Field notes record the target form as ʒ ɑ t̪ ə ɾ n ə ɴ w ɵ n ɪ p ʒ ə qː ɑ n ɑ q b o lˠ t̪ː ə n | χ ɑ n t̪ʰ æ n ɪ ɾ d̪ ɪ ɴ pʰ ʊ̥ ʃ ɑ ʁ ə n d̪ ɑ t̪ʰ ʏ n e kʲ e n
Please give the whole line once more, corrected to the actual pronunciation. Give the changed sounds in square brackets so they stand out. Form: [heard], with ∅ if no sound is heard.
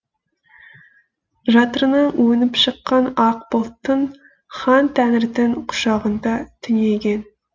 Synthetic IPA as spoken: ʒ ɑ t̪ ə ɾ n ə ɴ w ɵ n ɪ p [ʃ] ə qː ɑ n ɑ q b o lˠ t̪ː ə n | χ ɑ n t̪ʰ æ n ɪ ɾ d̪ ɪ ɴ [qʰ] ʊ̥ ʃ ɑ ʁ ə n d̪ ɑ t̪ʰ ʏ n e [ɡʲ] e n